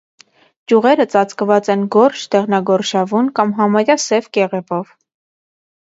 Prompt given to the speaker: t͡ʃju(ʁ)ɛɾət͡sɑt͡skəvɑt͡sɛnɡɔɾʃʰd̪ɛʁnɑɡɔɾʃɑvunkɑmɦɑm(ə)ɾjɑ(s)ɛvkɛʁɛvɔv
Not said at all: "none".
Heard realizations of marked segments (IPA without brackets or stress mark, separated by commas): ʁ, ɑ, s